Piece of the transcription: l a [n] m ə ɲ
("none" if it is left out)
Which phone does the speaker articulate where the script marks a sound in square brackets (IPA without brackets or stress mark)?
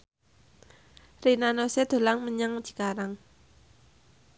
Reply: ŋ